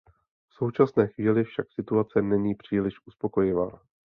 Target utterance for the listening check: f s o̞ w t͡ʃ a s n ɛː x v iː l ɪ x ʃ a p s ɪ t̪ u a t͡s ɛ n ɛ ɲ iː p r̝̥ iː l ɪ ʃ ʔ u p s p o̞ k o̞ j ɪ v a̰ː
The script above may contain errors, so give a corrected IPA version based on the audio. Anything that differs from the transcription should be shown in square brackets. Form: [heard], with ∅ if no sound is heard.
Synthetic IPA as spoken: f s o̞ w t͡ʃ a s n ɛː x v iː l ɪ [f] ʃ a [k] s ɪ t̪ u a t͡s ɛ n ɛ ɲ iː p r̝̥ iː l ɪ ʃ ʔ u [∅] s p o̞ k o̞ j ɪ v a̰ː